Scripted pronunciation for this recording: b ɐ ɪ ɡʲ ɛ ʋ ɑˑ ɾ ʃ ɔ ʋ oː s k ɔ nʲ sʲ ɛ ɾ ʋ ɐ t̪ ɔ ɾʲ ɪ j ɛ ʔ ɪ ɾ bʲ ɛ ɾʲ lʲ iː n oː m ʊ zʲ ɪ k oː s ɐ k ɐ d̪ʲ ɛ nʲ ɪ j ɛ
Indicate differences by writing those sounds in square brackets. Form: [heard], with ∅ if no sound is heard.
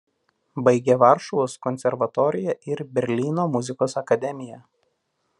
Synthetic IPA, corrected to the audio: b ɐ ɪ ɡʲ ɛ ʋ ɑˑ ɾ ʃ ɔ ʋ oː s k ɔ nʲ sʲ ɛ ɾ ʋ ɐ t̪ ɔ ɾʲ ɪ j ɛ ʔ ɪ ɾ bʲ ɛ ɾʲ lʲ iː n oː m ʊ zʲ ɪ k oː s ɐ k ɐ d̪ʲ ɛ [mʲ] ɪ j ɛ